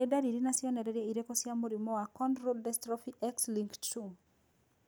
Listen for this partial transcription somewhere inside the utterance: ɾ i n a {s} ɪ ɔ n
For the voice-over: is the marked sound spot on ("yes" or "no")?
yes